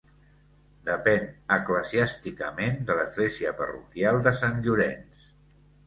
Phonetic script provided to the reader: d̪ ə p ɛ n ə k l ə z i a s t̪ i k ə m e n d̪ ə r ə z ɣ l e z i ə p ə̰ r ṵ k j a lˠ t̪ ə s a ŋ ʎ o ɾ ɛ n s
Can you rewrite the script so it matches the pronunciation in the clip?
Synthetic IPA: d̪ ə p ɛ n ə k l ə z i a s t̪ i k ə m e n d̪ ə l ə z ɣ l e z i ə p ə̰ r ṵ k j a lˠ d̪ ə s a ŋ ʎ u ɾ ɛ n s